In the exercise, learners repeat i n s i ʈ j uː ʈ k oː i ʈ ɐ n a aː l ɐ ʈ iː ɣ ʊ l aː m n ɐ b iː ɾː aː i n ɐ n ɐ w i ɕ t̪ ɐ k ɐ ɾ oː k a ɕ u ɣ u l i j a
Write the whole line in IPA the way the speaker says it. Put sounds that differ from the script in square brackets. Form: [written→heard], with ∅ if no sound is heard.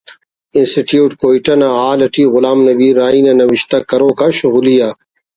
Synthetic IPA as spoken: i n s i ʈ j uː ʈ k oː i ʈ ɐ n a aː l ɐ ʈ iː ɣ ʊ l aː m n ɐ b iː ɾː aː i n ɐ n ɐ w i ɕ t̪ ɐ k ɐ ɾ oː k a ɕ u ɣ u l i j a